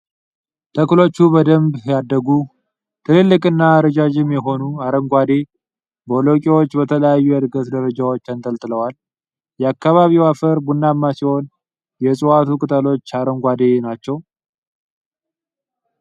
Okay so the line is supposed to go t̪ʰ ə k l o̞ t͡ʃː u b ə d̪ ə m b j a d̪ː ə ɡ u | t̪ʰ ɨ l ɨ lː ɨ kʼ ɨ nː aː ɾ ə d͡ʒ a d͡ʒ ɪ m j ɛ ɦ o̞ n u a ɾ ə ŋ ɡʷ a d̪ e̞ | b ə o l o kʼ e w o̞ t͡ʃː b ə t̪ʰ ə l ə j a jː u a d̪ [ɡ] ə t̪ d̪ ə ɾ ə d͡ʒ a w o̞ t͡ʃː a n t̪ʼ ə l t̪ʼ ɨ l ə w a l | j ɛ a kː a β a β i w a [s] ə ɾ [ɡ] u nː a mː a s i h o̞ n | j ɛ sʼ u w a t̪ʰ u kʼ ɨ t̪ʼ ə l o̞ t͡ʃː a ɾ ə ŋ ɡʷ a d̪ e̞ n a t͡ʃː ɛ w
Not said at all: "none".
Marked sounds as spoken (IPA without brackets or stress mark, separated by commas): ɡ, f, b